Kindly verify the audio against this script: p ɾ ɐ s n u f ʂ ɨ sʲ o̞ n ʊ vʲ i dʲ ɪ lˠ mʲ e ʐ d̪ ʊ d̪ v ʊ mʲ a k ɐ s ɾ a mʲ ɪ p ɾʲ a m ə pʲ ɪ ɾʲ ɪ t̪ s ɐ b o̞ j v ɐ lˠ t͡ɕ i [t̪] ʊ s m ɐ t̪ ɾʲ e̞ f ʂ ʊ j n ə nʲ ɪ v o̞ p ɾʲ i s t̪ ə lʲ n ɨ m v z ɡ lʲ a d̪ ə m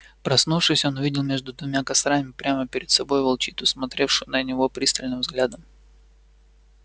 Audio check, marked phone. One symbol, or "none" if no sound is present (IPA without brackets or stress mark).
t̪